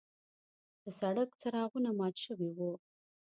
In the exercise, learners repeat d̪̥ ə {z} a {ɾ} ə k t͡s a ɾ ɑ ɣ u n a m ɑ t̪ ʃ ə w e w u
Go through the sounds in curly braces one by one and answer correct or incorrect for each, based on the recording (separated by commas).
incorrect, incorrect